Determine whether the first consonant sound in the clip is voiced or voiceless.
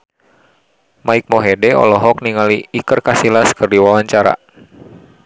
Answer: voiced